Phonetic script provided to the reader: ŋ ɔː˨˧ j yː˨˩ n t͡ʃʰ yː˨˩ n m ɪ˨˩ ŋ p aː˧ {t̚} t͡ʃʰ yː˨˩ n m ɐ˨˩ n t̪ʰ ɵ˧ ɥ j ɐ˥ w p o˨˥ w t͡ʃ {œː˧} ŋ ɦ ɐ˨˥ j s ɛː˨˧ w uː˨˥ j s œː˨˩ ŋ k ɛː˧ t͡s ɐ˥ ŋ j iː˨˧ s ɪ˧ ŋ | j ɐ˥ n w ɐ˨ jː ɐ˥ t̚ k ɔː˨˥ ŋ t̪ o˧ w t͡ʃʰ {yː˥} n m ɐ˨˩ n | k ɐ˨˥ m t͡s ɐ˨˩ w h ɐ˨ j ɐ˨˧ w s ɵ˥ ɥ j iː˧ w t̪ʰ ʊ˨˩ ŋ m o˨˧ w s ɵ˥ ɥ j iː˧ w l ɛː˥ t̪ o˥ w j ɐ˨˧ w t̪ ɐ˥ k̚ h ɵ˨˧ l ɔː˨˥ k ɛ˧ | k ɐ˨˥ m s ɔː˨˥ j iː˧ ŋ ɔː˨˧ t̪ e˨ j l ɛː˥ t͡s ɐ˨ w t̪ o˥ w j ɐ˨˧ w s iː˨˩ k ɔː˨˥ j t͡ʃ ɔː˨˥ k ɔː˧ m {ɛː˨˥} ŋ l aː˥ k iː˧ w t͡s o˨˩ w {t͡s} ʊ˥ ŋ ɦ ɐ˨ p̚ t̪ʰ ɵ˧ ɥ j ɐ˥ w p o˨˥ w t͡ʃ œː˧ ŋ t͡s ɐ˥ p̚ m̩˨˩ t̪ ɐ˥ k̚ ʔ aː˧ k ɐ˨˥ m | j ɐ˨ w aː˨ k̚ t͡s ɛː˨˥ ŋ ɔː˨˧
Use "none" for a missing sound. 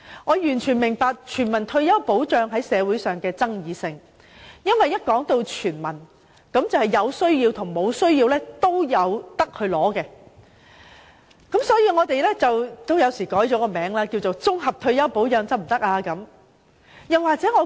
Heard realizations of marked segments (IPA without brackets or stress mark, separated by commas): k̚, œː˧, yː˨˩, ɛː˨˥, t͡s